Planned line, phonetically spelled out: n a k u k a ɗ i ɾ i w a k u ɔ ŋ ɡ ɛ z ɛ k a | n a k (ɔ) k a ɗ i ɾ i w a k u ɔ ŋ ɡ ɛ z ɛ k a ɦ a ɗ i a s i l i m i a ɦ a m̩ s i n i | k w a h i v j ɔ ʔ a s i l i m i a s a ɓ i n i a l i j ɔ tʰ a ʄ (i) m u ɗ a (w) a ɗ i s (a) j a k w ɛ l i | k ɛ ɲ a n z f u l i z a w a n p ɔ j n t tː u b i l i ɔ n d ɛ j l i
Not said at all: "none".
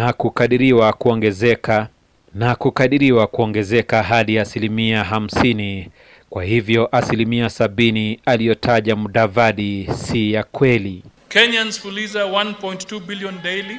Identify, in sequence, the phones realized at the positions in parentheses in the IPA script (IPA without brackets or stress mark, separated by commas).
u, a, v, i